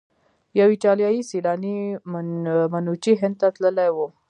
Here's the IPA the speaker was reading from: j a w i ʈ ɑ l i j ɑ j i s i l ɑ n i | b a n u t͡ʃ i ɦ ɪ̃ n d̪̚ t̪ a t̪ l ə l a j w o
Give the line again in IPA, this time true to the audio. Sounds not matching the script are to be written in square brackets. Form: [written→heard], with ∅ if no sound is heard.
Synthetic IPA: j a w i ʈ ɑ l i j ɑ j i s i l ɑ n i | [b→m] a n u t͡ʃ i ɦ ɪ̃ n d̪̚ t̪ a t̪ l ə l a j w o